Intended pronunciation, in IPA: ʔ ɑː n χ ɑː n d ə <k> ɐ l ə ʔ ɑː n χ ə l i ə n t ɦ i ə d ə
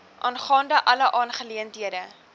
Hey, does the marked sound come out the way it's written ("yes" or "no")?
no